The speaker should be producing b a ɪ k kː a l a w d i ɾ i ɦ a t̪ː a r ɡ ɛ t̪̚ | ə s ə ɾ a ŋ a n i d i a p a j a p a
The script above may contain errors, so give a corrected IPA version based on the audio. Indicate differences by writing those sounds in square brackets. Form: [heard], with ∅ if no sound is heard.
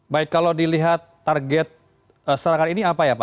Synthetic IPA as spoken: b a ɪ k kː a l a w d i [l] i ɦ a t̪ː a r ɡ ɛ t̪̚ | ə s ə ɾ a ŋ a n i [n] i a p a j a p a